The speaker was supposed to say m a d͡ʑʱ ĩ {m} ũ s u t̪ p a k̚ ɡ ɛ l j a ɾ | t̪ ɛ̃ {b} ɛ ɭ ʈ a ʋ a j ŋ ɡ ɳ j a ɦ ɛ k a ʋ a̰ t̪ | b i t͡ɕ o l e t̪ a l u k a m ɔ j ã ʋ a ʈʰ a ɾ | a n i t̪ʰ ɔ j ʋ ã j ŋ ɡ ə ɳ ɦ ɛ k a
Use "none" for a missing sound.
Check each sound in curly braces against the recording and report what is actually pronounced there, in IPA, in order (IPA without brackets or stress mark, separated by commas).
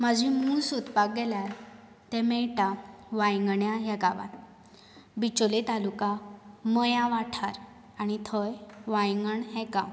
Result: m, m